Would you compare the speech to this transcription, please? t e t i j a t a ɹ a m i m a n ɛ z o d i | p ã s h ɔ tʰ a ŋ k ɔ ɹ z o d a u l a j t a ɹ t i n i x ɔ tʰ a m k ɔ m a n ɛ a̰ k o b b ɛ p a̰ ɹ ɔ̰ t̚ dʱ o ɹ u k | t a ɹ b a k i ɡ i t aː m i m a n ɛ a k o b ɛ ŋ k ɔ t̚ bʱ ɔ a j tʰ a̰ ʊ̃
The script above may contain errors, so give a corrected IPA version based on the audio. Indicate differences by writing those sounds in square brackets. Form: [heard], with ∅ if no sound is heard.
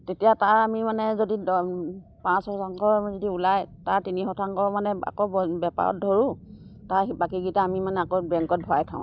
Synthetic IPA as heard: t e t i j a t a ɹ a m i m a n ɛ z o d i | p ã s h ɔ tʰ a ŋ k ɔ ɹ z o d [i] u l a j t a ɹ t i n i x ɔ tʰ a [ŋ] k ɔ m a n ɛ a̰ k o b b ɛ p a̰ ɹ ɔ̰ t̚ dʱ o ɹ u [∅] | t a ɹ b a k i ɡ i t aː m i m a n ɛ a k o b ɛ ŋ k ɔ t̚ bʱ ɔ a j tʰ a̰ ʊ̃